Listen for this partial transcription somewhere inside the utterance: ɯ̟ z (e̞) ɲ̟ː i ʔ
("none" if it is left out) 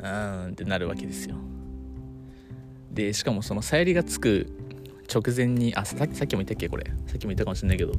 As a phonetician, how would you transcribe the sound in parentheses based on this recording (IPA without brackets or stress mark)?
ẽ̞